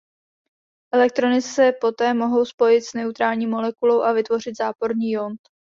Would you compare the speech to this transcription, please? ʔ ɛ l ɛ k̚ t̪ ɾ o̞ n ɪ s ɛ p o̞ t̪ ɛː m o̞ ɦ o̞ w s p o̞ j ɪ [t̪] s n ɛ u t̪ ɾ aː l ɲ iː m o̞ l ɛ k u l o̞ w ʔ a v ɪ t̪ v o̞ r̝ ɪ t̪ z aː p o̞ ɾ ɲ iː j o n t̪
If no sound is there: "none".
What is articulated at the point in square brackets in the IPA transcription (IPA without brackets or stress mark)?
t̪